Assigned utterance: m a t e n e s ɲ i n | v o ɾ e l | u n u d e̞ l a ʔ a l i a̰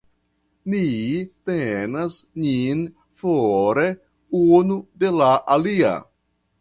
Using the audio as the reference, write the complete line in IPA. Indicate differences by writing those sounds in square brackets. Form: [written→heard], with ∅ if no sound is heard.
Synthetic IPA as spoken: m [a→i] t e n [e→a] s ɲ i n | [v→f] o ɾ e [l→∅] | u n u d e̞ l a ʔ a l i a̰